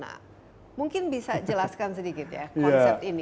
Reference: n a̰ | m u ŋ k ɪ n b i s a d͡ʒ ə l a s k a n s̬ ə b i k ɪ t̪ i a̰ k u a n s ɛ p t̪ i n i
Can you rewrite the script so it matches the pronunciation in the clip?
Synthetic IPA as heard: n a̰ | m u ŋ k ɪ n b i s a d͡ʒ ə l a s k a n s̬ ə d i k ɪ t̪ j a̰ k ɔ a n s ɛ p t̪ i n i